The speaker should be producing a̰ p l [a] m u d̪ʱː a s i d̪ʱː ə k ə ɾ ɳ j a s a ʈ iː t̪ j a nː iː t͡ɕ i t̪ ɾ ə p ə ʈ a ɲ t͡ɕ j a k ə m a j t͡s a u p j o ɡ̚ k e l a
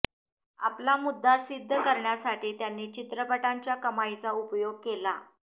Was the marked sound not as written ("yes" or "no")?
no